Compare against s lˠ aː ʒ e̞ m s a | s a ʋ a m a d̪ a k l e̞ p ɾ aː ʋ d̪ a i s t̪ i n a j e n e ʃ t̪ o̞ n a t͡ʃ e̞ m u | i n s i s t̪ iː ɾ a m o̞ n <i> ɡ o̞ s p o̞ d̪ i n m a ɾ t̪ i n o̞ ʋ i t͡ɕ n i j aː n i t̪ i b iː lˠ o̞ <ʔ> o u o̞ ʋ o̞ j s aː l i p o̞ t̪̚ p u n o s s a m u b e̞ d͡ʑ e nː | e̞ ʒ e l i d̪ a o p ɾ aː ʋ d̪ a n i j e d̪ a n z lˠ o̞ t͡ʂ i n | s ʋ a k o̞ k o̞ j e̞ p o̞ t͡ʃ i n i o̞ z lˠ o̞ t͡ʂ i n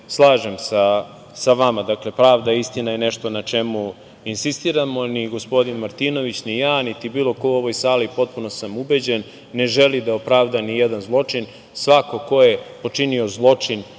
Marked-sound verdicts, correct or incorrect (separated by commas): correct, incorrect